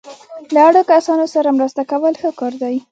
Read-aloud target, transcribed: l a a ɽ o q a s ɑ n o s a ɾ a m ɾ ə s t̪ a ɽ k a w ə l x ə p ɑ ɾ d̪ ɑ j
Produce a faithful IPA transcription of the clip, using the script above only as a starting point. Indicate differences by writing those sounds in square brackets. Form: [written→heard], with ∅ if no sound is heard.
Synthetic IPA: l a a ɽ o [q→k] a s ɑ n o s a ɾ a m ɾ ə s t̪ a [ɽ→∅] k a w ə l x ə [p→k] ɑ ɾ d̪ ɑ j